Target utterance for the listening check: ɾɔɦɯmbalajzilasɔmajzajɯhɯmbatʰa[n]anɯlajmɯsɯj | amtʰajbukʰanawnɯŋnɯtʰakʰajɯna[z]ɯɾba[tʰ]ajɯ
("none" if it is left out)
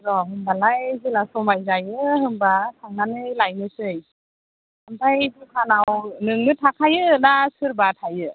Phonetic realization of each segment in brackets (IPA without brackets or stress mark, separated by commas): ŋ, s, tʰ